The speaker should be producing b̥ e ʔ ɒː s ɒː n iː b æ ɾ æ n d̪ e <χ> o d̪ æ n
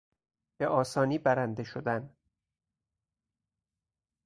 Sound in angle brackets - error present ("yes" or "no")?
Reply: yes